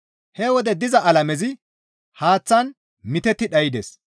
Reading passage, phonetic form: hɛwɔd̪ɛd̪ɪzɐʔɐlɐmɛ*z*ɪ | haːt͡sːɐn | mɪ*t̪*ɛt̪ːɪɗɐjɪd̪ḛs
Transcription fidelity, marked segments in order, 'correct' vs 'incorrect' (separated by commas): correct, correct